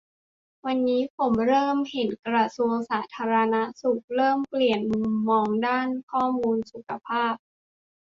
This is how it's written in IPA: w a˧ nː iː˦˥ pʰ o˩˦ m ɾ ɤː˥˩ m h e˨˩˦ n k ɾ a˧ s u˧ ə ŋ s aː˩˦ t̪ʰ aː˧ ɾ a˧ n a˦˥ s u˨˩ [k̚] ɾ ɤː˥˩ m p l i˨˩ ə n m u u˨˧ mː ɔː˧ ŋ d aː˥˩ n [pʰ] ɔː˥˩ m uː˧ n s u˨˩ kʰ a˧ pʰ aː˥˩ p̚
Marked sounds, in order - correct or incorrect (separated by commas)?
correct, incorrect